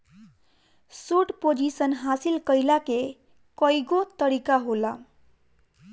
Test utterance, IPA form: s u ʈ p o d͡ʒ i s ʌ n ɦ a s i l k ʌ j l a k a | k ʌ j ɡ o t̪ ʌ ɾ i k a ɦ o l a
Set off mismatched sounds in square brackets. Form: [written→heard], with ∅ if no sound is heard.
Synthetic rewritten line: s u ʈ p o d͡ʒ i s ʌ n ɦ a s i l k ʌ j l a k [a→e] | k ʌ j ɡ o t̪ ʌ ɾ i k a ɦ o l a